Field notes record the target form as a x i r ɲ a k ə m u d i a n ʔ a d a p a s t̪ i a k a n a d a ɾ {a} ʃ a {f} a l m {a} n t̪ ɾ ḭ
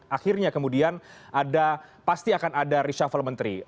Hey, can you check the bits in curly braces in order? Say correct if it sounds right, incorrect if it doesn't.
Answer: incorrect: i, correct, incorrect: ə

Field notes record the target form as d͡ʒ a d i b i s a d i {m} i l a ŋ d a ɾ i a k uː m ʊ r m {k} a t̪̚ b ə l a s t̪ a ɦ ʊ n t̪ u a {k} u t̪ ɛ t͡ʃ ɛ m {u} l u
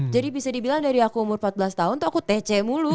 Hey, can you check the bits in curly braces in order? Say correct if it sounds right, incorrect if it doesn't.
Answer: incorrect: b, incorrect: p, correct, correct

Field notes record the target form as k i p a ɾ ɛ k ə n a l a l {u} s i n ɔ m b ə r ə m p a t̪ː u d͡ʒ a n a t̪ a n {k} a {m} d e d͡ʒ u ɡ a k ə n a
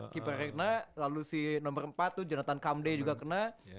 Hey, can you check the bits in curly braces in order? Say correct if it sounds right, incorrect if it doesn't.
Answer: correct, correct, correct

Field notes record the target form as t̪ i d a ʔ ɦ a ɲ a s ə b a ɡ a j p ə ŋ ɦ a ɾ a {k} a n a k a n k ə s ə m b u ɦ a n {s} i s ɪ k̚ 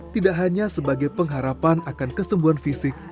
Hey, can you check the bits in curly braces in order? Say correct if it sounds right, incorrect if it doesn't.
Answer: incorrect: p, incorrect: f

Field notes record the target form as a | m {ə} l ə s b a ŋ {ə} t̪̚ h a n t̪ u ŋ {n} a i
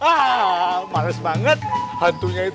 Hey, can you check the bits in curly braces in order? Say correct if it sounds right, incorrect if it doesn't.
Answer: incorrect: a, correct, incorrect: ɲ

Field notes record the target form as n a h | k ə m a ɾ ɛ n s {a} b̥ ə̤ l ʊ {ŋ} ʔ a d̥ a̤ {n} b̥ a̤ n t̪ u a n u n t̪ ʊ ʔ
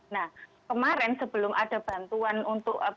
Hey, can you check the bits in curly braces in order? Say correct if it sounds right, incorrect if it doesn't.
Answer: incorrect: ə, incorrect: m, incorrect: none

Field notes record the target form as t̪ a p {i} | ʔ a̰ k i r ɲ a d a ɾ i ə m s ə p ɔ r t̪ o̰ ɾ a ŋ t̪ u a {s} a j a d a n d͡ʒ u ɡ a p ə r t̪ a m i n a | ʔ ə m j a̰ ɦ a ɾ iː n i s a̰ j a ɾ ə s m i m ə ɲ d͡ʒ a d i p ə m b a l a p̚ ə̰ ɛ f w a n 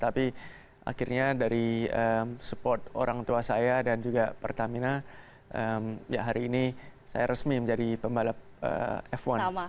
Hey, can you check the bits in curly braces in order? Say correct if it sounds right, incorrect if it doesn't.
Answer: correct, correct

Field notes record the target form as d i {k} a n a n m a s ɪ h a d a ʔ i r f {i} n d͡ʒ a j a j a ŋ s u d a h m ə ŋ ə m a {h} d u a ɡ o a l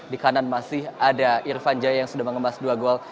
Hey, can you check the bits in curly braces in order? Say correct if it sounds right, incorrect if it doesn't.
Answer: correct, incorrect: a, incorrect: s

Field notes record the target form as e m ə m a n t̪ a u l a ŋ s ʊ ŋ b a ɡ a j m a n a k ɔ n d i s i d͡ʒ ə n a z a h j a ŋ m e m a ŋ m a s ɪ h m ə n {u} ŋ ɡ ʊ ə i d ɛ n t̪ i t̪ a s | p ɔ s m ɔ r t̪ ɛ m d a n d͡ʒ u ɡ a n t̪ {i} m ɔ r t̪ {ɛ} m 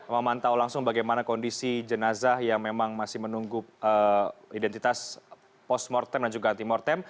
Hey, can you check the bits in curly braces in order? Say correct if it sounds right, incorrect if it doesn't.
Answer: correct, correct, correct

